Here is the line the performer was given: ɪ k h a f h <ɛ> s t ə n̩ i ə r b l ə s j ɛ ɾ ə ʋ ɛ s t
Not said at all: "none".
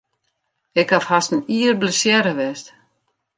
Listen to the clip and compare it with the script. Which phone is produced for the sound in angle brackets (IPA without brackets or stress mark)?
a